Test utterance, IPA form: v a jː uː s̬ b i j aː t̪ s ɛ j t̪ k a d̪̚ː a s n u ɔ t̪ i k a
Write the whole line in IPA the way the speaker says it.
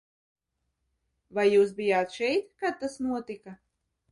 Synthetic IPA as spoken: v a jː uː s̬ b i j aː t̪ ʃ ɛ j t̪ k a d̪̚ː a s n u ɔ t̪ i k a